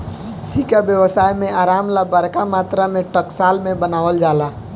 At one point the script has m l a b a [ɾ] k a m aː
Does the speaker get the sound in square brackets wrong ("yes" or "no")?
no